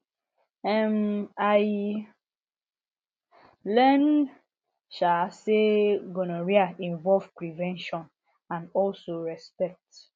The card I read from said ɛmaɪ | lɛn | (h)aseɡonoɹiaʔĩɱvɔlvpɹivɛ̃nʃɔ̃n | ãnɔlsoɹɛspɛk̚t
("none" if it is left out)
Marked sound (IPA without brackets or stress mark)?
ʃ